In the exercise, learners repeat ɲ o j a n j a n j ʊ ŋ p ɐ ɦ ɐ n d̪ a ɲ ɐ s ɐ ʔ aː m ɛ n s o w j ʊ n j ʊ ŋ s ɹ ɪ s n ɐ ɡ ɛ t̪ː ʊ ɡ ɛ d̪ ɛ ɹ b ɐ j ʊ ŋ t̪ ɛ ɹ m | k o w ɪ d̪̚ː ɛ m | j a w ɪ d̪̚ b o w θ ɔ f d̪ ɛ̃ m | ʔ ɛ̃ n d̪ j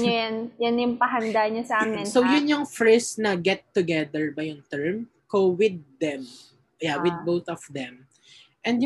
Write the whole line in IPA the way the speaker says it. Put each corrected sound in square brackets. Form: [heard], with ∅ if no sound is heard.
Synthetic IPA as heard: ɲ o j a n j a n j ʊ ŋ p ɐ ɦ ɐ n d̪ a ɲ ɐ s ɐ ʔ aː m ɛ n s o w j ʊ n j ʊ ŋ [f] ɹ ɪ s n ɐ ɡ ɛ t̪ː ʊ ɡ ɛ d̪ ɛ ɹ b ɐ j ʊ ŋ t̪ ɛ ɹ m | k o w ɪ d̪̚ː ɛ m | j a w ɪ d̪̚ b o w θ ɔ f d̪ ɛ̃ m | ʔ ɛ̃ n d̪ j